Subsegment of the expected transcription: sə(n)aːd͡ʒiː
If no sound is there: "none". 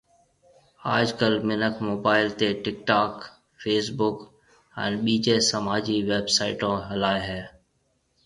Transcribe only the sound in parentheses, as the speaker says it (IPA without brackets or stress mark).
m